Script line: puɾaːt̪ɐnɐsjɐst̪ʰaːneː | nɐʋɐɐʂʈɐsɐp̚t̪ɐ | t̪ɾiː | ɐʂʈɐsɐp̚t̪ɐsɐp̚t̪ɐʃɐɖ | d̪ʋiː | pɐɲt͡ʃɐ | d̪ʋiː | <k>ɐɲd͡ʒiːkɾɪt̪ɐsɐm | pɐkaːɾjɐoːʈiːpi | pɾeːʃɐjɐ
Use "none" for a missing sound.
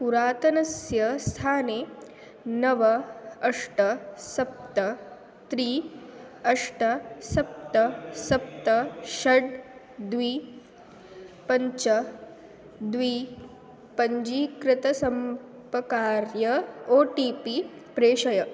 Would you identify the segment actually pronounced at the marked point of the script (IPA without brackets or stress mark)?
p